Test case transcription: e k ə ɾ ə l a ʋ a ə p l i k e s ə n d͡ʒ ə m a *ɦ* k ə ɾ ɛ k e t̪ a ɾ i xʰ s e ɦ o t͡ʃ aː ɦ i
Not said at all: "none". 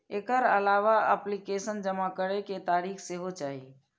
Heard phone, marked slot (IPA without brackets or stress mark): none